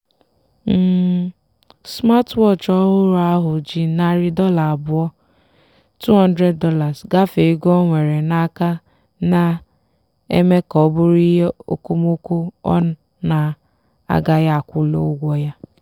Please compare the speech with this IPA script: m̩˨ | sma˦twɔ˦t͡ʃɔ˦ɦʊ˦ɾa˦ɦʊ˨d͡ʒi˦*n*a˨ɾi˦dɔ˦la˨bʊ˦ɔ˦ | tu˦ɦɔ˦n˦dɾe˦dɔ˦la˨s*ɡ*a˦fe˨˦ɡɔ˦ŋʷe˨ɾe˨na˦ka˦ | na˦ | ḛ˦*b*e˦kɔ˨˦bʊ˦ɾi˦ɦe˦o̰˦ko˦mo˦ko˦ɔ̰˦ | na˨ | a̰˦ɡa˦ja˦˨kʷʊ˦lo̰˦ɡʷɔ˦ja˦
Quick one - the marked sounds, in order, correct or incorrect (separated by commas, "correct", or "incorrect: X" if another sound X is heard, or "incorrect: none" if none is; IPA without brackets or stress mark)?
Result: correct, correct, incorrect: m